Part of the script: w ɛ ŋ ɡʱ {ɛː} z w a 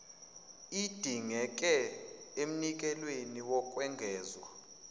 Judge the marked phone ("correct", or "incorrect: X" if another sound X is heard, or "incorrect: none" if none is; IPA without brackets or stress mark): correct